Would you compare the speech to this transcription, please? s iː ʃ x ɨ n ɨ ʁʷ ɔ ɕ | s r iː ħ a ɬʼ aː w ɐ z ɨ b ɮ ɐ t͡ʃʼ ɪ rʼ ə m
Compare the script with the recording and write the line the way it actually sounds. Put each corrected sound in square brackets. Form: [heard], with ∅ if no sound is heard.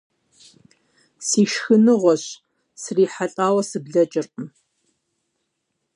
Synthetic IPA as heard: s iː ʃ x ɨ n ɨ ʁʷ ɔ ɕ | s r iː ħ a ɬʼ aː w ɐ [s] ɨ b ɮ ɐ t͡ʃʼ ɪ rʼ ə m